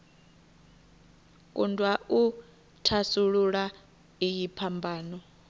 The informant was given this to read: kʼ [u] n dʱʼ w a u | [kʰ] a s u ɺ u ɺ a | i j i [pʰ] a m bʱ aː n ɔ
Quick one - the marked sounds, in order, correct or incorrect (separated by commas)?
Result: correct, incorrect, correct